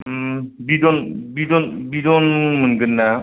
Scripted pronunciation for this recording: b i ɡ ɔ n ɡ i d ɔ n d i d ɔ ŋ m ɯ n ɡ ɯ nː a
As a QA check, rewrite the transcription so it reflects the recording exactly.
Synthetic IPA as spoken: b i d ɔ n b i d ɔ n b i d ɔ n m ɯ n ɡ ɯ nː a